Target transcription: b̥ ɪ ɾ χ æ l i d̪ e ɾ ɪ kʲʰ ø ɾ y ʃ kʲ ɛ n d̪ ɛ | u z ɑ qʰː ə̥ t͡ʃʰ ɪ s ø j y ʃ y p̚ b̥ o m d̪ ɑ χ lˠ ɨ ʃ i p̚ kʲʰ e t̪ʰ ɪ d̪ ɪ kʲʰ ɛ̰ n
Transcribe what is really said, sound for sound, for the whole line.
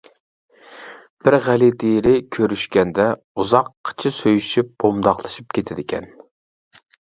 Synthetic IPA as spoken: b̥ ɪ ɾ ʁ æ l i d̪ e ɾ ɪ kʲʰ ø ɾ y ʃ kʲ ɛ n d̪ ɛ | u z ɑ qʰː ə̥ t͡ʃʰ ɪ s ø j y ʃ y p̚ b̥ o m d̪ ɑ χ lˠ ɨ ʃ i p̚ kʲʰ e t̪ʰ ɪ d̪ ɪ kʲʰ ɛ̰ n

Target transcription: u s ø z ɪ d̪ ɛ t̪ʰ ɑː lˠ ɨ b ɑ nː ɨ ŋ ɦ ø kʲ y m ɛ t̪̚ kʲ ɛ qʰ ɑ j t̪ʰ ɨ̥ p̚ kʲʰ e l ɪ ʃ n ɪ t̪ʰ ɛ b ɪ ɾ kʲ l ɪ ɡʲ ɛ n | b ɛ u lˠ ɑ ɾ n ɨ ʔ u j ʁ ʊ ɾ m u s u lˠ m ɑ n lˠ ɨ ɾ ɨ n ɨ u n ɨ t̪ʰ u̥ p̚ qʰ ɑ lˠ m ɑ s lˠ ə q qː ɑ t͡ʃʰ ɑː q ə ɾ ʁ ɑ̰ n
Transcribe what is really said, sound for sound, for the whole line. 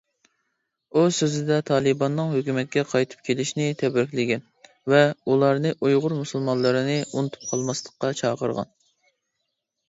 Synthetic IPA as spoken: u s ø z ɪ d̪ ɛ t̪ʰ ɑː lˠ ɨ b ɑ nː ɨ ŋ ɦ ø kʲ y m ɛ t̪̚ kʲ ɛ qʰ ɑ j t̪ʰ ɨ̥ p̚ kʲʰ e l ɪ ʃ n ɪ t̪ʰ ɛ b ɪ ɾ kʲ l ɪ ɡʲ ɛ n | v ɛ u lˠ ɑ ɾ n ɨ ʔ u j ʁ ʊ ɾ m u s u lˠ m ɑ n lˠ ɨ ɾ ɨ n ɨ u n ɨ t̪ʰ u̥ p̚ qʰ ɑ lˠ m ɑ s lˠ ə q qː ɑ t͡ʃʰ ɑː q ə ɾ ʁ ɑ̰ n

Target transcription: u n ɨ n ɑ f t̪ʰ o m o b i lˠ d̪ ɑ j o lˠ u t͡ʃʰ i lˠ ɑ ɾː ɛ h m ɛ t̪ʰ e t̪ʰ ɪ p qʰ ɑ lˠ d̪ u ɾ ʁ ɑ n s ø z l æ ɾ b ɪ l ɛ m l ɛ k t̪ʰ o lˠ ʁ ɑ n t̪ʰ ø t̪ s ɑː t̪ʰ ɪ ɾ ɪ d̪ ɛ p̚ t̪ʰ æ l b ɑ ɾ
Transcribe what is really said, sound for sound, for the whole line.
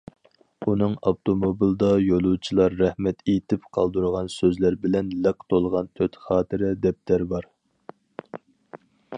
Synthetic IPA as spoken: u n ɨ ŋ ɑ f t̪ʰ o m o b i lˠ d̪ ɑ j o lˠ u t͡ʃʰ i lˠ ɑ ɾː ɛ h m ɛ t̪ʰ e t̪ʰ ɪ p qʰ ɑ lˠ d̪ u ɾ ʁ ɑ n s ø z l æ ɾ b ɪ l ɛ n l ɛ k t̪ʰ o lˠ ʁ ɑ n t̪ʰ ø t̪ χ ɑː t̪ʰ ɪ ɾ ɪ d̪ ɛ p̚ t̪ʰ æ ɾ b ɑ ɾ

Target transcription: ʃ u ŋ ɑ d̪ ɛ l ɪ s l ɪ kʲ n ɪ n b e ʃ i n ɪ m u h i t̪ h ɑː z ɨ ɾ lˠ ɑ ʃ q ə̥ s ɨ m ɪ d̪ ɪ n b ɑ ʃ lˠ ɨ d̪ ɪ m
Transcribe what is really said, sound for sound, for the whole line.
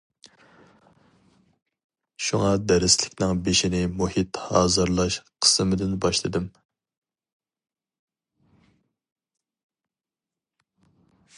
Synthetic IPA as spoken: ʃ u ŋ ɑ d̪ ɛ ɾ ɪ s l ɪ kʲ n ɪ ŋ b e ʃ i n ɪ m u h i t̪ h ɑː z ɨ ɾ lˠ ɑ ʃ qʰ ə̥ s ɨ m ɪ d̪ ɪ n b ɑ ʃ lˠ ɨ d̪ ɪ m

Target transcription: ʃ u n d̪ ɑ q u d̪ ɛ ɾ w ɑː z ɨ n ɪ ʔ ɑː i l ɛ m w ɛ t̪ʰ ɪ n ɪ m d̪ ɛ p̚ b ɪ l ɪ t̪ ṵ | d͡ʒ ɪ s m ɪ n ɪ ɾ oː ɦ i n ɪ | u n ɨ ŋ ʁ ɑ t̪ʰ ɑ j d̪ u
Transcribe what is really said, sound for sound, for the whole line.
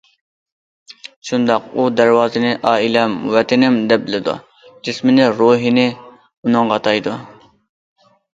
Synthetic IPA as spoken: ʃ u n d̪ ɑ q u d̪ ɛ ɾ w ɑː z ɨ n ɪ ʔ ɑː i l ɛ m w ɛ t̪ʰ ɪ n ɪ m d̪ ɛ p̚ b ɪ l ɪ d̪ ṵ | d͡ʒ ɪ s m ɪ n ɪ ɾ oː ɦ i n ɪ | u n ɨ ŋ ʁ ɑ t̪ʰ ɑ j d̪ u

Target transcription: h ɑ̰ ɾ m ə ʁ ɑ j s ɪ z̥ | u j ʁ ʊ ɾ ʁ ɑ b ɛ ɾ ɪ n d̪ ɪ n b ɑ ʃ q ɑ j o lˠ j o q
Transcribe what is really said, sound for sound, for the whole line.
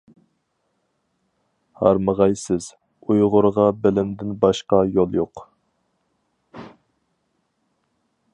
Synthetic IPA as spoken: h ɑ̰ ɾ m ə ʁ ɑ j s ɪ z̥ | u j ʁ ʊ ɾ ʁ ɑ b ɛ l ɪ n d̪ ɪ n b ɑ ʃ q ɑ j o lˠ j o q

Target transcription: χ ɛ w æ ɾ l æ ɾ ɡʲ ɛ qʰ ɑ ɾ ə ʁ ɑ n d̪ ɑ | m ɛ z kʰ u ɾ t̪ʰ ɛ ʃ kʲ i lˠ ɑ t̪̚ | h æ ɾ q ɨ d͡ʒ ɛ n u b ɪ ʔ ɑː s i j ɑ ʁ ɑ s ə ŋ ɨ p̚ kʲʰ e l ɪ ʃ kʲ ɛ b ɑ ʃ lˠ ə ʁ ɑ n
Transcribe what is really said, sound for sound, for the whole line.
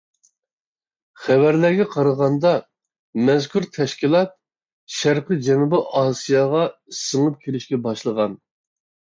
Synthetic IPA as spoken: χ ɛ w æ ɾ l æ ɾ ɡʲ ɛ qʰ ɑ ɾ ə ʁ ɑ n d̪ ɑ | m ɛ z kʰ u ɾ t̪ʰ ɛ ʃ kʲ i lˠ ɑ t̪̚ | ʃ æ ɾ q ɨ d͡ʒ ɛ n u b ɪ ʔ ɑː s i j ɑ ʁ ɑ s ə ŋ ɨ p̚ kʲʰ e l ɪ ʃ kʲ ɛ b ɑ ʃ lˠ ə ʁ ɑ n

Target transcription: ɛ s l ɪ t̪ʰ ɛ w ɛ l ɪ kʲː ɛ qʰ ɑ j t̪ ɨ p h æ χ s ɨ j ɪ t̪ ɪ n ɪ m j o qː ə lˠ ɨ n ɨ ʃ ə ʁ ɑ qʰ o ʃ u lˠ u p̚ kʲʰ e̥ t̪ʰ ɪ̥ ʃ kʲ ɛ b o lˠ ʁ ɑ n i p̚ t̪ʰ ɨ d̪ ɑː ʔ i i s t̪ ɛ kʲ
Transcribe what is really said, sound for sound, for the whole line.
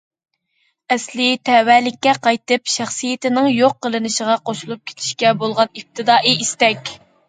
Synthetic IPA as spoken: ɛ s l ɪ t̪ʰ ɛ w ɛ l ɪ kʲː ɛ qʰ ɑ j t̪ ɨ p ʃ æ χ s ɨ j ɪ t̪ ɪ n ɪ ŋ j o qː ə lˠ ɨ n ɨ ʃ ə ʁ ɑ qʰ o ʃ u lˠ u p̚ kʲʰ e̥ t̪ʰ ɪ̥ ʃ kʲ ɛ b o lˠ ʁ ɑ n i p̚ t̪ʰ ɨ d̪ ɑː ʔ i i s t̪ ɛ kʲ

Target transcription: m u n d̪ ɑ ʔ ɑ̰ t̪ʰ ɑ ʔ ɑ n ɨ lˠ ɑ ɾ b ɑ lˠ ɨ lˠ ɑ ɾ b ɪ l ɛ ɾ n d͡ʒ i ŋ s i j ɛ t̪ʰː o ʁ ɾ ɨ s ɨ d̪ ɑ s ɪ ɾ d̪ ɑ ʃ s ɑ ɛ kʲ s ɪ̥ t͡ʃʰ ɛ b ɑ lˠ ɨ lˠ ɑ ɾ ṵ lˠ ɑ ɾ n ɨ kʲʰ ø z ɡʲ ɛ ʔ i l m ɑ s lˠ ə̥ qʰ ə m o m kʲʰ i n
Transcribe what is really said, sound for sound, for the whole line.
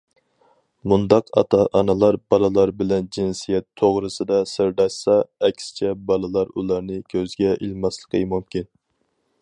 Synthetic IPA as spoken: m u n d̪ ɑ q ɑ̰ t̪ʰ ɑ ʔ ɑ n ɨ lˠ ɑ ɾ b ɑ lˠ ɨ lˠ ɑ ɾ b ɪ l ɛ n d͡ʒ i n s i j ɛ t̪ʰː o ʁ ɾ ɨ s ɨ d̪ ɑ s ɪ ɾ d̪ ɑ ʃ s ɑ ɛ kʲ s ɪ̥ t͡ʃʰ ɛ b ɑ lˠ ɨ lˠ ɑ ɾ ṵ lˠ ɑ ɾ n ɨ kʲʰ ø z ɡʲ ɛ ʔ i l m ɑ s lˠ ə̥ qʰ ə m u m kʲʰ i n

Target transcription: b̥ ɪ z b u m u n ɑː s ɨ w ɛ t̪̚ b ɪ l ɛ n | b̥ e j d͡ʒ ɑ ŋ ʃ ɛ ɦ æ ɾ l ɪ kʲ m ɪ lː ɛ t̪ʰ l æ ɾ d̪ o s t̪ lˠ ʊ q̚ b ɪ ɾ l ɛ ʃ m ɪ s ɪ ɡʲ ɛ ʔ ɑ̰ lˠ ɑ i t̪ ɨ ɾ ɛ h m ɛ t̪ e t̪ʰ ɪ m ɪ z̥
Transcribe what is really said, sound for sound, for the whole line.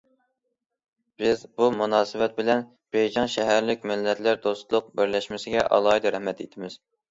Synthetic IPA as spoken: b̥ ɪ z b u m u n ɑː s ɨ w ɛ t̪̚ b ɪ l ɛ n | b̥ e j d͡ʒ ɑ ŋ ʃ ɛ ɦ æ ɾ l ɪ kʲ m ɪ lː ɛ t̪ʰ l æ ɾ d̪ o s t̪ lˠ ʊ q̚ b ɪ ɾ l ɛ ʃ m ɪ s ɪ ɡʲ ɛ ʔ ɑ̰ lˠ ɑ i d̪ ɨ ɾ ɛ h m ɛ t̪ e t̪ʰ ɪ m ɪ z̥

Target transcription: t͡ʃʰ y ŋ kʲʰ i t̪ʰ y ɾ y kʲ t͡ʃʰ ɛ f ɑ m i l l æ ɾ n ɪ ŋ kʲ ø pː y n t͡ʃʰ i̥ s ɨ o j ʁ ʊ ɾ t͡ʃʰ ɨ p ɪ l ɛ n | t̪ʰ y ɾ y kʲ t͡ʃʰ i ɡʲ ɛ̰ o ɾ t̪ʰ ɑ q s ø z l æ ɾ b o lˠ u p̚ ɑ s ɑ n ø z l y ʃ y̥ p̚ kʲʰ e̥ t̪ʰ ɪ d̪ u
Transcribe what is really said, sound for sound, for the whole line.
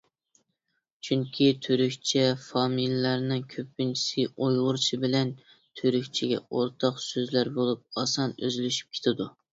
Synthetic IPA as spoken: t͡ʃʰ y ŋ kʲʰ i t̪ʰ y ɾ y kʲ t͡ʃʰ ɛ f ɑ m i l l æ ɾ n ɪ ŋ kʲʰ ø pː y n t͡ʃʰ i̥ s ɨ o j ʁ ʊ ɾ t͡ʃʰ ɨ b ɪ l ɛ n | t̪ʰ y ɾ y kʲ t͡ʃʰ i ɡʲ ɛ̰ o ɾ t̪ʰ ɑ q s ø z l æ ɾ b o lˠ u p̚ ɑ s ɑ n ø z l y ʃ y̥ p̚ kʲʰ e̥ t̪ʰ ɪ d̪ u

